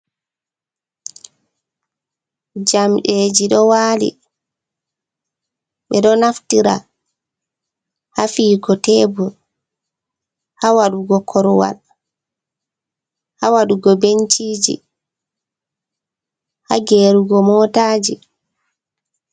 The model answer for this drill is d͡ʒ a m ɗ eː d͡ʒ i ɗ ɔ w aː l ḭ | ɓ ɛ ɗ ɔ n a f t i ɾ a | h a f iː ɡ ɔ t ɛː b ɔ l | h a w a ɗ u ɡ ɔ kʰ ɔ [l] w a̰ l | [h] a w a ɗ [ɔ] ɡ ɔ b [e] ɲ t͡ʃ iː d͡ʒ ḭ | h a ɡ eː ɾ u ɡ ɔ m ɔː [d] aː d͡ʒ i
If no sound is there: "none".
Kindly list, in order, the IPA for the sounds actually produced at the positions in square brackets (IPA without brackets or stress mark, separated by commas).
ɾ, h, u, e, t